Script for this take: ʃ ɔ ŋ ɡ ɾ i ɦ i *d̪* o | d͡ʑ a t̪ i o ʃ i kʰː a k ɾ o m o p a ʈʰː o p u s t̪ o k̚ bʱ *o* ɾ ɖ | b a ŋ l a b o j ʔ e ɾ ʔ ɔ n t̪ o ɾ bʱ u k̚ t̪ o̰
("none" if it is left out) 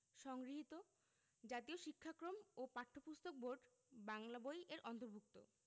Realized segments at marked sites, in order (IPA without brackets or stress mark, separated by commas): t̪, o